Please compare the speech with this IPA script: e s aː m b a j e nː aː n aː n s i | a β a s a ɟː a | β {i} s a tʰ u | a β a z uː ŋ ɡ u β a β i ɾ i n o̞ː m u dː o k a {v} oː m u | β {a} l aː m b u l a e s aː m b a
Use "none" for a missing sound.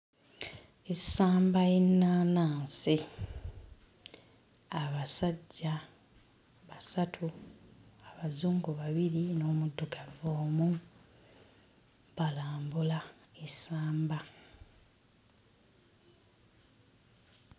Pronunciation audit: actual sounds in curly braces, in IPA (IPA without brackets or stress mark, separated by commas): a, v, a